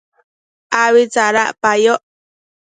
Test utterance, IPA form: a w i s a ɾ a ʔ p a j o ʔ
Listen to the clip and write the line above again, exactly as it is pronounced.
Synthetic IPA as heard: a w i t͡s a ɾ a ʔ p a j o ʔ